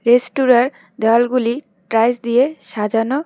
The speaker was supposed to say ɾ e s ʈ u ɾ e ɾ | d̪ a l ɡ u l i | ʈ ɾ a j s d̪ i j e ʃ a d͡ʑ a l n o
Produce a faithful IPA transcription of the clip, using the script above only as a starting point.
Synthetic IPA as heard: ɾ e s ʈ u ɾ a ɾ | d̪ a l ɡ u l i | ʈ ɾ a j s d̪ i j e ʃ a d͡ʑ a n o